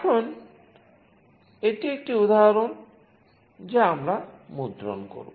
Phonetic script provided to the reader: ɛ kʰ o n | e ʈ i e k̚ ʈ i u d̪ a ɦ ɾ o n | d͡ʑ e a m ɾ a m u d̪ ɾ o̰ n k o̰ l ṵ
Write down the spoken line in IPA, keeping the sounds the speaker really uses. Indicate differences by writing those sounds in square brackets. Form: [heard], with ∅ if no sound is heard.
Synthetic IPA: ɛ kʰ o n | e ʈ i e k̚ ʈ i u d̪ a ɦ ɾ o n | d͡ʑ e a m ɾ a m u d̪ ɾ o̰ n k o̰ [ɾ] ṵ

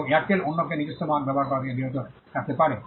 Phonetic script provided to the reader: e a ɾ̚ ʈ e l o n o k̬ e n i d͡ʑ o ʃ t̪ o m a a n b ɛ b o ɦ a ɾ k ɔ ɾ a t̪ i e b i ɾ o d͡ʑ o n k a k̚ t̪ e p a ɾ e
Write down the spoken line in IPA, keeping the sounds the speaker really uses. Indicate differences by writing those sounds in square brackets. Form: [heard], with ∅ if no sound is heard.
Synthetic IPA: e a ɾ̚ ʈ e l o [nː] o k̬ e n i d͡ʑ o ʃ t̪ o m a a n b ɛ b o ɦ a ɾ k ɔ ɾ a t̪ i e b i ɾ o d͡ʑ o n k a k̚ t̪ e p a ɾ e

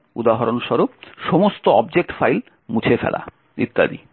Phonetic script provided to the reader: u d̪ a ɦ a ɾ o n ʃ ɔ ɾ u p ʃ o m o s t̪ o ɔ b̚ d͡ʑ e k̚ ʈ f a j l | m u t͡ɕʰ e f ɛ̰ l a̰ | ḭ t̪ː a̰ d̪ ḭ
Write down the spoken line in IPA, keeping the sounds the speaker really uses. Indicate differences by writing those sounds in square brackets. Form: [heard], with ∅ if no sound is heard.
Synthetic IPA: u d̪ a ɦ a ɾ o n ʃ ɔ ɾ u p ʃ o m o s t̪ o ɔ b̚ d͡ʑ e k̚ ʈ f a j l | m u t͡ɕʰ e f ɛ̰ l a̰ | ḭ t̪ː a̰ d̪ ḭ

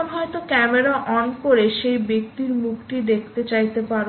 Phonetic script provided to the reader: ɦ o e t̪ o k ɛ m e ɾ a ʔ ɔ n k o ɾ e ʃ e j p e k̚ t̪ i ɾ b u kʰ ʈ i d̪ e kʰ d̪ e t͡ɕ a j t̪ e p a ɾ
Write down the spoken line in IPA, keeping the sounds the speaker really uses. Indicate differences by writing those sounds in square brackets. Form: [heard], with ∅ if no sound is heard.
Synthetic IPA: ɦ [ɔ] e t̪ o k ɛ m e ɾ a ʔ ɔ n k o ɾ e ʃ e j [b] e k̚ t̪ i ɾ [m] u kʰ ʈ i d̪ e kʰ [t̪] e t͡ɕ a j t̪ e p a ɾ

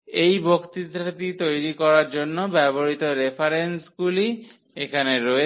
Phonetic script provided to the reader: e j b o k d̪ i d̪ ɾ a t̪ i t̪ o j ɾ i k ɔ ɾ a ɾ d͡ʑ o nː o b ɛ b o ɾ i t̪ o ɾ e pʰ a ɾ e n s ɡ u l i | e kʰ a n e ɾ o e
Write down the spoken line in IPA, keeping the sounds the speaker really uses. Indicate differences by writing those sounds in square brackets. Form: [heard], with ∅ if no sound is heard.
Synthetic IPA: e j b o k [t̪] i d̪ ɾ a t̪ i t̪ o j ɾ i k ɔ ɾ a ɾ d͡ʑ o nː o b ɛ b o ɾ i t̪ o ɾ e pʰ a ɾ e n s ɡ u l i | e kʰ a n e ɾ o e

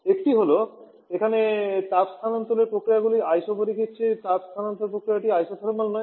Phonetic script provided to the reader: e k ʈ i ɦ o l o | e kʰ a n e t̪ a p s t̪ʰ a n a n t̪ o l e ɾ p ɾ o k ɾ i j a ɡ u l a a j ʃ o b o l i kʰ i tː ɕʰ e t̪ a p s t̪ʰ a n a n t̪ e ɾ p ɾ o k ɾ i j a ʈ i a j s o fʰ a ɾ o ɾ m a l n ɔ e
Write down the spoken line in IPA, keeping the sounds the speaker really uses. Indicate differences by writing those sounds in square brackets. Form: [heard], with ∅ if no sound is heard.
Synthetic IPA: e k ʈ i ɦ o l o | e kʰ a n e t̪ a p s t̪ʰ a n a n t̪ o l e ɾ p ɾ o k ɾ i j a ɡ u l [i] a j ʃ o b o [ɾ] i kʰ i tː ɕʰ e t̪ a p s t̪ʰ a n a n t̪ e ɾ p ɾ o k ɾ i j a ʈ i a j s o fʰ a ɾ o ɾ m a l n ɔ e

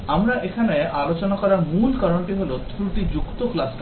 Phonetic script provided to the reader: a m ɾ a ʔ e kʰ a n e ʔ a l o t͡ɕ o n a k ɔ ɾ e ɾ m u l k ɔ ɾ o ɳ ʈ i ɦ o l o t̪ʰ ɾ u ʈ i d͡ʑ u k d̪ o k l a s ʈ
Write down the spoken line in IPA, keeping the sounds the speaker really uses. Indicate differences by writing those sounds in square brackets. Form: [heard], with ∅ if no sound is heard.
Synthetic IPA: a m ɾ a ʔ e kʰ a n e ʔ a l o t͡ɕ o n a k ɔ ɾ [a] ɾ m u l k ɔ ɾ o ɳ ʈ i ɦ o l o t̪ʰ ɾ u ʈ i d͡ʑ u k [t̪] o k l a s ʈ

